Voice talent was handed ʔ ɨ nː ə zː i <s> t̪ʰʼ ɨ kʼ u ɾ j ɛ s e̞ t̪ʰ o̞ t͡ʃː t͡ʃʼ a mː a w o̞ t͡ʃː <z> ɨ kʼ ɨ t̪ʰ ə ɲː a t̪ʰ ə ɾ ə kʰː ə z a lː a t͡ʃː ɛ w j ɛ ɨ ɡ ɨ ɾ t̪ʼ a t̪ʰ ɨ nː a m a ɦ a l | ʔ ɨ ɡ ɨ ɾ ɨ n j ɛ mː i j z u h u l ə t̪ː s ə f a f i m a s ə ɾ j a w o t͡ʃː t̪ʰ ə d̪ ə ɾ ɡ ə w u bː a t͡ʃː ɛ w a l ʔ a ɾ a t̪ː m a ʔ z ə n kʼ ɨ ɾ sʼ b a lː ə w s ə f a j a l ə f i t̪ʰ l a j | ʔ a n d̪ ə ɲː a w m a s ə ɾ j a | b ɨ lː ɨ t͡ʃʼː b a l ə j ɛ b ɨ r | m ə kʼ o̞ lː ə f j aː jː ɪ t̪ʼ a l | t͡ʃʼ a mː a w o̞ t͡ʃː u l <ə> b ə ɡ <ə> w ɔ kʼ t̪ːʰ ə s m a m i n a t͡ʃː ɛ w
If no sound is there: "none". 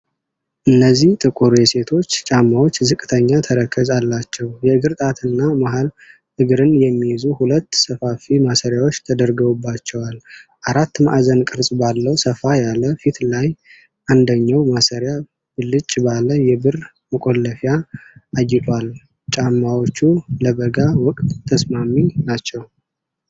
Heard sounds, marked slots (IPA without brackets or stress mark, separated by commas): h, z, ə, a